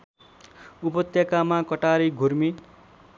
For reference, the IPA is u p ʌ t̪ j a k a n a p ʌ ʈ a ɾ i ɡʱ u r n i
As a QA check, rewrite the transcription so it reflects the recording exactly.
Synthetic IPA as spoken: u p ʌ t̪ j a k a m a k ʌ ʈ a ɾ i ɡʱ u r m i